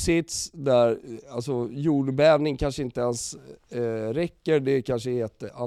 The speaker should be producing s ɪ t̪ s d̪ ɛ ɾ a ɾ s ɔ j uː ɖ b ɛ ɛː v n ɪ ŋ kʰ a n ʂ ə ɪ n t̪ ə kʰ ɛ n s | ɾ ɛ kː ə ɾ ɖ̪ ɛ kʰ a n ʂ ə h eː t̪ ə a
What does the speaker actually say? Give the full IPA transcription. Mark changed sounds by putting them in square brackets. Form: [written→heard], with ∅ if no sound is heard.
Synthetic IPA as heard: s ɪ t̪ s d̪ [ɛ→æ] ɾ a [ɾ→l] s ɔ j uː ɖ b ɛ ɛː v n ɪ ŋ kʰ a n ʂ ə ɪ n t̪ ə [kʰ→∅] ɛ n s | ɾ ɛ kː ə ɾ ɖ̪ ɛ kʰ a n ʂ ə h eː t̪ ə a